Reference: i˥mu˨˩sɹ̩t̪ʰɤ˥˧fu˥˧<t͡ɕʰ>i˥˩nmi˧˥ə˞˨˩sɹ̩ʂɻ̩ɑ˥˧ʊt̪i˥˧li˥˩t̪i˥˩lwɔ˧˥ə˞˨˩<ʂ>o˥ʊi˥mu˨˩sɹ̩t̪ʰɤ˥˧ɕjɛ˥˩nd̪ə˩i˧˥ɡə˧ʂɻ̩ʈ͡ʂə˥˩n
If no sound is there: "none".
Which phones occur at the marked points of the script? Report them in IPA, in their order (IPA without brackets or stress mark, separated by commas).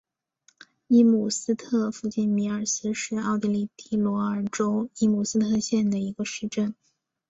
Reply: t͡ɕ, ʈ͡ʂ